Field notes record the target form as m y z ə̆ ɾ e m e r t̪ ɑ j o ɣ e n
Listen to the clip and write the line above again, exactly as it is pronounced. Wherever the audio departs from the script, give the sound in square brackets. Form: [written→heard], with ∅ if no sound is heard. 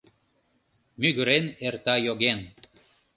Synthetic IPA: m y [z→ɣ] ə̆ ɾ e [m→n] e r t̪ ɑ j o ɣ e n